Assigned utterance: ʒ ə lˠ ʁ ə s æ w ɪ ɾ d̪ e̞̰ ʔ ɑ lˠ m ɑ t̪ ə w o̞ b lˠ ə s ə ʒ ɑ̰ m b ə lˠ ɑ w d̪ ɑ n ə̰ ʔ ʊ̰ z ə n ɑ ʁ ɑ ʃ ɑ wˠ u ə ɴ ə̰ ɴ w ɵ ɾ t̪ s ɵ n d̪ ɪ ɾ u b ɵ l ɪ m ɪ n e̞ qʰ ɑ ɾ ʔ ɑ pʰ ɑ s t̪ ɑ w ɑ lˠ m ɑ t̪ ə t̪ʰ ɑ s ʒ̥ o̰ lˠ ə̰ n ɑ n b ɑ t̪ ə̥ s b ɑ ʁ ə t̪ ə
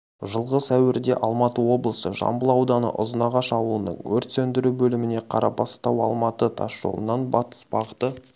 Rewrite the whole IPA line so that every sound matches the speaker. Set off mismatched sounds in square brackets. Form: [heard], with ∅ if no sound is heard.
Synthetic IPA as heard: ʒ ə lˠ ʁ ə s æ w ɪ ɾ d̪ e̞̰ ʔ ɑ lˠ m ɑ t̪ ə w o̞ b lˠ ə s ə ʒ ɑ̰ m b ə lˠ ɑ w d̪ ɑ n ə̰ ʔ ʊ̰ z ə n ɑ ʁ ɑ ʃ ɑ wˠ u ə [n] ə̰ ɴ w ɵ ɾ t̪ s ɵ n d̪ ɪ ɾ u b ɵ l ɪ m ɪ n e̞ qʰ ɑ ɾ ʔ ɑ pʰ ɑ s t̪ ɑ w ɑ lˠ m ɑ t̪ ə t̪ʰ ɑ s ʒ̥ o̰ lˠ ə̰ n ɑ n b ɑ t̪ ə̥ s b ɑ ʁ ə t̪ ə